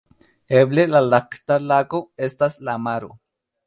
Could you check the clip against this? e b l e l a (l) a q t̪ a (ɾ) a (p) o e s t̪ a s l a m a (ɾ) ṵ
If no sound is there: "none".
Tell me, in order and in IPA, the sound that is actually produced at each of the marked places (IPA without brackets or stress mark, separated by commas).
l, l, k, ɾ